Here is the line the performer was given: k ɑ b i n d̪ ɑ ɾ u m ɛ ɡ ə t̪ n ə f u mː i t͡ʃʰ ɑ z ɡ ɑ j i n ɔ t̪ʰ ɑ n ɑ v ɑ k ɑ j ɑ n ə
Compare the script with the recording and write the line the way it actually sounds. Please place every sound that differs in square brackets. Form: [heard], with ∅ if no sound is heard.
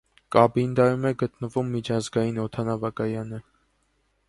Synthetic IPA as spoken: k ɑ b i n d̪ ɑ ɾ u m ɛ ɡ ə t̪ n ə [v] u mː i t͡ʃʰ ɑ z ɡ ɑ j i n ɔ t̪ʰ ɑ n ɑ v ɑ k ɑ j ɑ n ə